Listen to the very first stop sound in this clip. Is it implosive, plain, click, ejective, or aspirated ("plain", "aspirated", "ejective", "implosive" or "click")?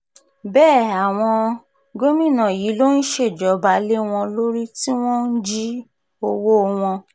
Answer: plain